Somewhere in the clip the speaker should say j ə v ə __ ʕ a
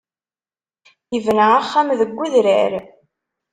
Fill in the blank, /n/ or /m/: n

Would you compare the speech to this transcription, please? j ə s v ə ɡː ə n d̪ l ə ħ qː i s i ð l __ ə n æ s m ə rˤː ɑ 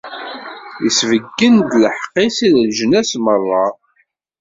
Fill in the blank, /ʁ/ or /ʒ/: ʒ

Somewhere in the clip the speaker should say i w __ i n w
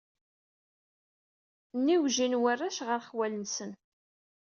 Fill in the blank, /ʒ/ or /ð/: ʒ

